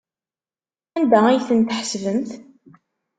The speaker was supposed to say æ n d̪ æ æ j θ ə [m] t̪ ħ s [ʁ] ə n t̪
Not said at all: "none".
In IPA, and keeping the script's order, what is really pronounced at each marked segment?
n, v

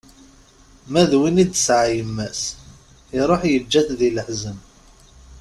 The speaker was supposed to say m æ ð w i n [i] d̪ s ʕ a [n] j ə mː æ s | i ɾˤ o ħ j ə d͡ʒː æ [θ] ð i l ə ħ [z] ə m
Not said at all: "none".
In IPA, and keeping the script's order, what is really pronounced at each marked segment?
i, none, θ, z

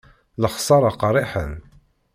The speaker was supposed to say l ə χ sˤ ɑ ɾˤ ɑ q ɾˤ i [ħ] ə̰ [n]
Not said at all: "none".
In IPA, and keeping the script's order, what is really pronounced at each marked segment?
ħ, n

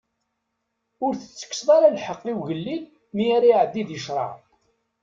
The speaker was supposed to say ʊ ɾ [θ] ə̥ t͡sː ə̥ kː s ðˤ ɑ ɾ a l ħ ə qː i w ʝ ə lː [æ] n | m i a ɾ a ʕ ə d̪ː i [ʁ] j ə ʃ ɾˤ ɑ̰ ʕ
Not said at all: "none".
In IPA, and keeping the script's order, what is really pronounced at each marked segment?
θ, i, ð

